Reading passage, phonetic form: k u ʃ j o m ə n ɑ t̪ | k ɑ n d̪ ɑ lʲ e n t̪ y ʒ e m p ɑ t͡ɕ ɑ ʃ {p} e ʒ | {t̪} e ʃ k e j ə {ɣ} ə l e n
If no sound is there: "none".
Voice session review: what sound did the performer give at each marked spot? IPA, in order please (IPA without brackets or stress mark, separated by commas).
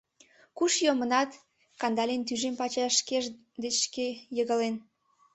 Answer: k, d̪, ɣ